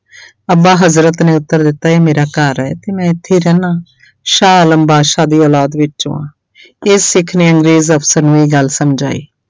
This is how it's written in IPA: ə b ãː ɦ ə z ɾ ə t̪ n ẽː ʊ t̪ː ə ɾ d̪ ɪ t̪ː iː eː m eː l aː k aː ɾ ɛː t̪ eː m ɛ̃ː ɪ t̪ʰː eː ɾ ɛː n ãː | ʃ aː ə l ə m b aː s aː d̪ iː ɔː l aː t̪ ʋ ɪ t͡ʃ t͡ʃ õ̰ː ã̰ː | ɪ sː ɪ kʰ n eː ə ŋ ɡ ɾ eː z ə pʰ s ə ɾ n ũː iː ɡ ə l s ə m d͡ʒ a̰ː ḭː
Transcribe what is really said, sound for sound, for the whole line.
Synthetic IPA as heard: ə b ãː ɦ ə z ɾ ə t̪ n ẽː ʊ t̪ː ə ɾ d̪ ɪ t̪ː aː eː m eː ɾ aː k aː ɾ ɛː t̪ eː m ɛ̃ː ɪ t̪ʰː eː ɾ ɛː n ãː | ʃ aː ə l ə m b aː ʃ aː d̪ iː ɔː l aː d̪ ʋ ɪ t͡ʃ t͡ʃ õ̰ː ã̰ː | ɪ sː ɪ kʰ n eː ə ŋ ɡ ɾ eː z ə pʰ s ə ɾ n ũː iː ɡ ə l s ə m d͡ʒ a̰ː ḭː